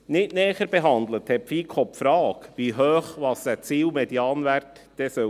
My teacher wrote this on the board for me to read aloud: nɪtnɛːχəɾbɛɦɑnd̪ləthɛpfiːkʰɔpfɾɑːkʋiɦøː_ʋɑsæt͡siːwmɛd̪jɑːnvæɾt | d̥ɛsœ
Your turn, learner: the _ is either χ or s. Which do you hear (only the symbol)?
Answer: χ